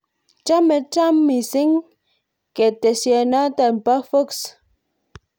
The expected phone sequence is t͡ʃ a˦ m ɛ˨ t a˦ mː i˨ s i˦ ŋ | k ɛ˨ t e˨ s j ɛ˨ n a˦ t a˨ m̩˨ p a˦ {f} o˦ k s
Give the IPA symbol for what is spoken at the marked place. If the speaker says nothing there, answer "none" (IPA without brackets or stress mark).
f